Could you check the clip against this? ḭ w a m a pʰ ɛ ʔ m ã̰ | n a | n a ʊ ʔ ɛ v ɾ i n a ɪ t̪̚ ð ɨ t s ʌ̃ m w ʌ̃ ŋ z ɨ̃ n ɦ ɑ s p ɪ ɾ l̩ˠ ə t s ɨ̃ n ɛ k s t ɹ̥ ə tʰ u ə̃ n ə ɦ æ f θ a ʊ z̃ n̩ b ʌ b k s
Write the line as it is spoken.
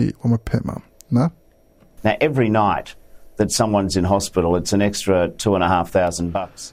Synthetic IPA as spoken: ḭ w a m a pʰ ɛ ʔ m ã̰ | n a | n a ʊ ʔ ɛ v ɹ i n a ɪ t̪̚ ð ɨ t s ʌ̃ m w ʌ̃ n z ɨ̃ n ɦ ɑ s p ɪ ɾ l̩ˠ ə t s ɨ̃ n ɛ k s t ɹ̥ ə tʰ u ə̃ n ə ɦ æ f θ a ʊ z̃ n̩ b ʌ k s